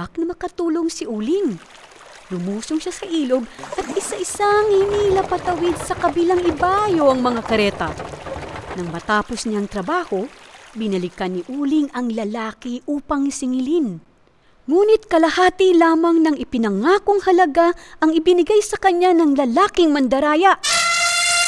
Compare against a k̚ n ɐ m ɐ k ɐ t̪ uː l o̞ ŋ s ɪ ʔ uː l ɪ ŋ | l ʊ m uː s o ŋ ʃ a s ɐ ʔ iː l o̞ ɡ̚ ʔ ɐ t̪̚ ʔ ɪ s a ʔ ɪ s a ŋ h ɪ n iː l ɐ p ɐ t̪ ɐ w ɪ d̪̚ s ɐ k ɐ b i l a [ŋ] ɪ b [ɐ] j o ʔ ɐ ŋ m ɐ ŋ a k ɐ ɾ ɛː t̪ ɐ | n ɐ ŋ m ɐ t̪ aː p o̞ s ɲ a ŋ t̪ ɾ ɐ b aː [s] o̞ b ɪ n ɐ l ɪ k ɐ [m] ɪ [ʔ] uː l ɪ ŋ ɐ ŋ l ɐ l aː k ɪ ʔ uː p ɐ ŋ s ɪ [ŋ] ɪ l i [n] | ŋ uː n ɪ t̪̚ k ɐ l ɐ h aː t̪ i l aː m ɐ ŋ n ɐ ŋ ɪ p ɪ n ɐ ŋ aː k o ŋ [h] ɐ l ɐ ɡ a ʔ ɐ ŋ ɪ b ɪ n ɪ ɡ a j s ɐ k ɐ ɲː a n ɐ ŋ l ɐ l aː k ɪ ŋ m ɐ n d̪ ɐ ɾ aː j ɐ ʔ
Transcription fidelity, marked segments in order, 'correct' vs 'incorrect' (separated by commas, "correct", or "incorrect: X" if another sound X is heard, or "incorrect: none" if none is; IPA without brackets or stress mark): correct, incorrect: a, incorrect: h, incorrect: n, correct, correct, correct, correct